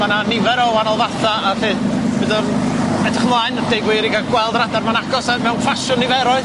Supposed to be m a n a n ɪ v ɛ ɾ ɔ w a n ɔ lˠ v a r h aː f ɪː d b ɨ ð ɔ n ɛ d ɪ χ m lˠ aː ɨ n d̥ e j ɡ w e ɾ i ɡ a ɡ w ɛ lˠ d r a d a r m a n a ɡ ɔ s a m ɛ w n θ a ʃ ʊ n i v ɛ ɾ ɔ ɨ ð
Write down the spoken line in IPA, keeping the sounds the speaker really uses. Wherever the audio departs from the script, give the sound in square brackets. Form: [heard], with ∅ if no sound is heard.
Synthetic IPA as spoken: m a n a n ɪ v ɛ ɾ ɔ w a n ɔ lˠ v a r [θ] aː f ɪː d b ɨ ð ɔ n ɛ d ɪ χ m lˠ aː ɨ n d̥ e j ɡ w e ɾ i ɡ a ɡ w ɛ lˠ d r a d a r m a n a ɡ ɔ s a m ɛ w n [f] a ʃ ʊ n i v ɛ ɾ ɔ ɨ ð